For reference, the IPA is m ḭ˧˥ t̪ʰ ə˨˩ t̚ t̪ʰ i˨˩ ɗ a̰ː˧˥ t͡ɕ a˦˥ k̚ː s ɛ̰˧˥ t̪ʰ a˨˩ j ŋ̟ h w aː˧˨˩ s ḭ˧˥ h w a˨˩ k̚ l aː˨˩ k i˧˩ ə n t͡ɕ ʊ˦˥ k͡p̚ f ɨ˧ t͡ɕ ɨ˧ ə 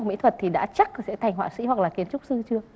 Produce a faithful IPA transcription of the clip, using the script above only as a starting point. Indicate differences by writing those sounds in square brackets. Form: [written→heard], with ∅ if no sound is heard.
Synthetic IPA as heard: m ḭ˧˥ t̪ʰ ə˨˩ t̚ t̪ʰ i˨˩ ɗ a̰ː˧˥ t͡ɕ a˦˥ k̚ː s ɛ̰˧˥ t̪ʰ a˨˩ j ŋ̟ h w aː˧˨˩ s ḭ˧˥ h w a˨˩ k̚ l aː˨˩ k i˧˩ ə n t͡ɕ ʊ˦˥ k͡p̚ [f→s] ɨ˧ t͡ɕ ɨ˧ ə